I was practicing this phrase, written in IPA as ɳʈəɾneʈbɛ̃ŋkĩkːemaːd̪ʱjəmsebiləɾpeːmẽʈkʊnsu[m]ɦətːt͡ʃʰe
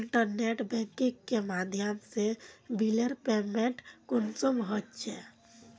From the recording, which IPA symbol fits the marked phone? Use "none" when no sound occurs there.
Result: m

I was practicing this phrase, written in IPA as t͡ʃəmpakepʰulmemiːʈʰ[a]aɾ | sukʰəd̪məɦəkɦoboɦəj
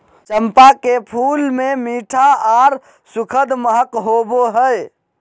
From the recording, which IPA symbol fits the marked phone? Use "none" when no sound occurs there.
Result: a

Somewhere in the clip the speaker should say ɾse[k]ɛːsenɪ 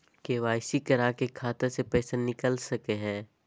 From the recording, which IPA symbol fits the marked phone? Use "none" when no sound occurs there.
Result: p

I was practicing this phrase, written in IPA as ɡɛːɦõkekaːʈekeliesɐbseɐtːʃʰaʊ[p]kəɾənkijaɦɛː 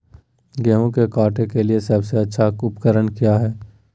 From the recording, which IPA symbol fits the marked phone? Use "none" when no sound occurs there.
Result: p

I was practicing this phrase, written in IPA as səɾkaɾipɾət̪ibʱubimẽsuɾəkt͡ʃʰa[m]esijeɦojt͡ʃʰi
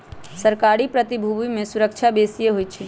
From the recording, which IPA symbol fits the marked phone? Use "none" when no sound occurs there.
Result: b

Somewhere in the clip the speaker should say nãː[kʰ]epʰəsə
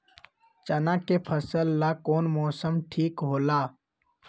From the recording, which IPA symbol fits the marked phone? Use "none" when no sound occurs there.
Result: k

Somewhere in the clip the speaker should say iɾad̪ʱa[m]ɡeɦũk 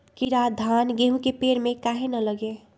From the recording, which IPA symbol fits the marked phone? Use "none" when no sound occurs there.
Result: n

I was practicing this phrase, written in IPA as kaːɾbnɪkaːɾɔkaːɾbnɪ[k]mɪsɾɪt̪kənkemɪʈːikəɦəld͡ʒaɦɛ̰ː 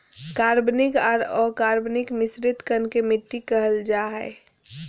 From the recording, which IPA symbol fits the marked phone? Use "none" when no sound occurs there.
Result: k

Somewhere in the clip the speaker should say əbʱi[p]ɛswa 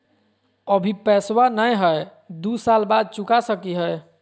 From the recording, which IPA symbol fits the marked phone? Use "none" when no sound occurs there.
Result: p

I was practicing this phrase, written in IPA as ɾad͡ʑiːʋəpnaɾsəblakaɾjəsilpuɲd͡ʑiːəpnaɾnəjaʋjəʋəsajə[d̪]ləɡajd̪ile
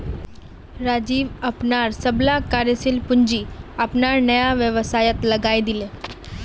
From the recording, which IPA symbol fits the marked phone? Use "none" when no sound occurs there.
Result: t̪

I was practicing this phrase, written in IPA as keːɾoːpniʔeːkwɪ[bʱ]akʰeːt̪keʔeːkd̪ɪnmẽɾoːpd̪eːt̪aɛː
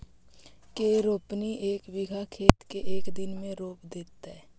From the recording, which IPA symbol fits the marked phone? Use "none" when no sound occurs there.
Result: ɡʱ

